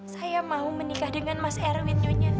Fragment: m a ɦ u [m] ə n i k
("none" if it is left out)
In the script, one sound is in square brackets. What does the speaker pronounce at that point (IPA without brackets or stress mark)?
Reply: m